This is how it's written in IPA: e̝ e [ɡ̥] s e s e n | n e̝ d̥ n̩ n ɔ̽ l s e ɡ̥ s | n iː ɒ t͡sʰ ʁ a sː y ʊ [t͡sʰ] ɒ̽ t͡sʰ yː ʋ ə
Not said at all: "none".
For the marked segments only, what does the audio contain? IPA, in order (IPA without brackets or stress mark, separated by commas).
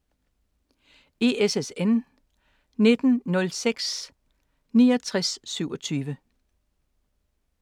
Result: none, none